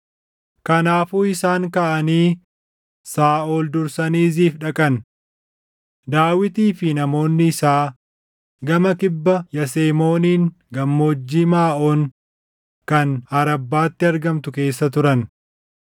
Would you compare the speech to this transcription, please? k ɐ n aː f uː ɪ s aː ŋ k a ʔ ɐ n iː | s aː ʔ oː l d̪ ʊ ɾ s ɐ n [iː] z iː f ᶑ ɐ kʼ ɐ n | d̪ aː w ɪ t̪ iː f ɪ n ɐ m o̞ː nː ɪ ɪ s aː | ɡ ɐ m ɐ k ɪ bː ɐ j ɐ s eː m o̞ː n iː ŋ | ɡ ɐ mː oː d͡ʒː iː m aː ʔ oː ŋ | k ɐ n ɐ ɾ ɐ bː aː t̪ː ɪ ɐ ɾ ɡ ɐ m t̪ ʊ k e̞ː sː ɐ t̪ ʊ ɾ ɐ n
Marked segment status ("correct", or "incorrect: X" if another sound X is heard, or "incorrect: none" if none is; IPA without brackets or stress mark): correct